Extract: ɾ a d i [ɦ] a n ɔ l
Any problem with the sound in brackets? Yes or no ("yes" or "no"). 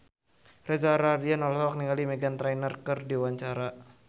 yes